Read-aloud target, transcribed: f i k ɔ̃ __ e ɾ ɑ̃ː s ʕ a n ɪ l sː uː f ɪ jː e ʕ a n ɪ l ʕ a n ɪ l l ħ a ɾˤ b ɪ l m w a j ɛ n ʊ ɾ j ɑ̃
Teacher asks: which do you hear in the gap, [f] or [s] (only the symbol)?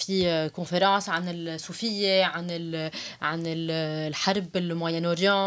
f